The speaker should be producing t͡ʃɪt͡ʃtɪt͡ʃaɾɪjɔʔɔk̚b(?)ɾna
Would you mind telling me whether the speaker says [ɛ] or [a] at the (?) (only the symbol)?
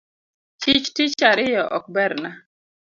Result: ɛ